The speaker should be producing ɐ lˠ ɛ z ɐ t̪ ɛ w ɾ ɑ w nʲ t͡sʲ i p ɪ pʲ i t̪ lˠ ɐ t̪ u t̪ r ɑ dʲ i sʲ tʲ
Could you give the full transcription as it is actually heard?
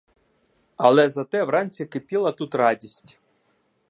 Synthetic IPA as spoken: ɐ lˠ ɛ z ɐ t̪ ɛ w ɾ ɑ nʲ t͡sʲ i k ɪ pʲ i lˠ ɐ t̪ u t̪ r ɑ dʲ i sʲ tʲ